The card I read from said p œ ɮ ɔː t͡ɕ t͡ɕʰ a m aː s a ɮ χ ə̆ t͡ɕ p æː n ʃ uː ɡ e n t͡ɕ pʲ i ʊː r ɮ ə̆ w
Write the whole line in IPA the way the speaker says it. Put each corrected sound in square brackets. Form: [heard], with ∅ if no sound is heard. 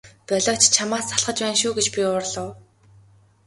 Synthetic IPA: p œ ɮ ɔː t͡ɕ t͡ɕʰ a m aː s a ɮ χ ə̆ t͡ɕ p æː n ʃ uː ɡ e [∅] t͡ɕ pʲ i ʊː r ɮ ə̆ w